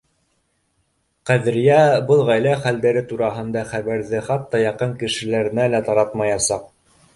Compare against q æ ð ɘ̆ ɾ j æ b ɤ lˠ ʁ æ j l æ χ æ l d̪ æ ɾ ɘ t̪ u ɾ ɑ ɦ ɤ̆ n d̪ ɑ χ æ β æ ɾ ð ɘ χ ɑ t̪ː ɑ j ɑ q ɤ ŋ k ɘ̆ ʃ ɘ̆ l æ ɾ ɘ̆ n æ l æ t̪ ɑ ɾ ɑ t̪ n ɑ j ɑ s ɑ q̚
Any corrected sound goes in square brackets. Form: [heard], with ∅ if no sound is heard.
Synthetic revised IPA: q æ ð ɘ̆ ɾ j æ b ɤ lˠ ʁ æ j l æ χ æ l d̪ æ ɾ ɘ t̪ u ɾ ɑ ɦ ɤ̆ n d̪ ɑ χ æ β æ ɾ ð ɘ χ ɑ t̪ː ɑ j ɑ q ɤ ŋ k ɘ̆ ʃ ɘ̆ l æ ɾ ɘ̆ n æ l æ t̪ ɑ ɾ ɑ t̪ [m] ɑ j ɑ s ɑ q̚